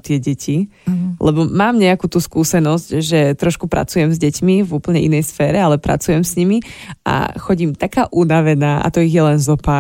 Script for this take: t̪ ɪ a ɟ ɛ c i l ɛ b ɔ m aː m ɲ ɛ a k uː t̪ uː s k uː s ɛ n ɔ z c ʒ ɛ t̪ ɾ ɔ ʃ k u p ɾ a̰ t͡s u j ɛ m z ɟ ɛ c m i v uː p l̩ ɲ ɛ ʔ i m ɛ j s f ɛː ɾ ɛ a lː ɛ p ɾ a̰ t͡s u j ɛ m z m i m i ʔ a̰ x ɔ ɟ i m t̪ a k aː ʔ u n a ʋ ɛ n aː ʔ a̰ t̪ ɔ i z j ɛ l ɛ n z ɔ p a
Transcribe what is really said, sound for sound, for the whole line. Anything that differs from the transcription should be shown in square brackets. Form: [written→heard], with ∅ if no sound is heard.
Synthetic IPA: t̪ ɪ [a→ɛ] ɟ ɛ c i l ɛ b ɔ m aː m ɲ ɛ a k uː t̪ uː s k uː s ɛ n ɔ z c ʒ ɛ t̪ ɾ ɔ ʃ k u p ɾ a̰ t͡s u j ɛ m z ɟ ɛ c m i v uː p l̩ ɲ ɛ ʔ i [m→n] ɛ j s f ɛː ɾ ɛ a [lː→l] ɛ p ɾ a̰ t͡s u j ɛ m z [m→ɲ] i m i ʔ a̰ x ɔ ɟ i m t̪ a k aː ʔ u n a ʋ ɛ n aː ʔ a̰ t̪ ɔ i [z→ɣ] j ɛ l ɛ n z ɔ p a